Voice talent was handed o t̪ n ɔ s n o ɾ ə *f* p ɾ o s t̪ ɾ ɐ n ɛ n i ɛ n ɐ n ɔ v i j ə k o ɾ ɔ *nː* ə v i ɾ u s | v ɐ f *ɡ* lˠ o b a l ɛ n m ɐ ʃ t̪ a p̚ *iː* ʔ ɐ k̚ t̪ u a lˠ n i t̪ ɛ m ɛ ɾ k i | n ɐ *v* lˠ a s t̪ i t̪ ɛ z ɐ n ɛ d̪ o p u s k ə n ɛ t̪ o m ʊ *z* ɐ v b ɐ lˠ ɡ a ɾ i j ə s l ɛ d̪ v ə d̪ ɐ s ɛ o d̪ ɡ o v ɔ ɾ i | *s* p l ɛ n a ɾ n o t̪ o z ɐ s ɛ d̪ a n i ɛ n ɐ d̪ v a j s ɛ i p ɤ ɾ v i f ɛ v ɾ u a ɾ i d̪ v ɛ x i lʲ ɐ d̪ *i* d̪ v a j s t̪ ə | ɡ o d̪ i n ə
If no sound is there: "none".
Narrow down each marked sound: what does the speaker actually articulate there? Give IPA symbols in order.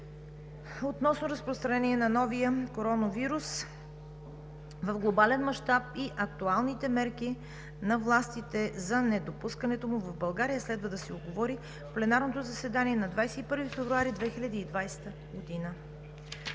s, n, ɡ, i, v, v, f, iː

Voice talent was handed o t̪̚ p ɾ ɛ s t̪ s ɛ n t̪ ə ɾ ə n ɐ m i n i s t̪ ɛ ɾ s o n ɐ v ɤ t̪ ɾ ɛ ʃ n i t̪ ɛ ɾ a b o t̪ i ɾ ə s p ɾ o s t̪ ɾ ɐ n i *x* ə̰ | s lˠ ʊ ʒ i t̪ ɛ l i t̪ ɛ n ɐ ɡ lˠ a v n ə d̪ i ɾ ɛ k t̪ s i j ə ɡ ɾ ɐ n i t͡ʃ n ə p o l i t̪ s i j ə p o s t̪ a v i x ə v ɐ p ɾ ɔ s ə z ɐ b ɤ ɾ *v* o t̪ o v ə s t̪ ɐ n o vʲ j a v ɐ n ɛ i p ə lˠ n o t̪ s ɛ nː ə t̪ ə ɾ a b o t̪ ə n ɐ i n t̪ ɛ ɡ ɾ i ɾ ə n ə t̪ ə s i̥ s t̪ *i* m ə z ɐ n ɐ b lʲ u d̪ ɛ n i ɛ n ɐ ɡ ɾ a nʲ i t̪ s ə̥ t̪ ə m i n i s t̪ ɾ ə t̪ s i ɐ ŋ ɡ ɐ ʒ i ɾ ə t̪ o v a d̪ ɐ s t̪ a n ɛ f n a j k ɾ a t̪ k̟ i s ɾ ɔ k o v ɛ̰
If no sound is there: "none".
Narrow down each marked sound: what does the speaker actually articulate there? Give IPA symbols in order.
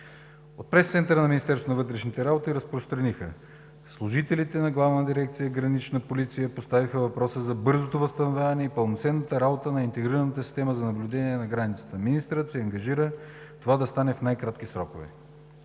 x, z, ɛ

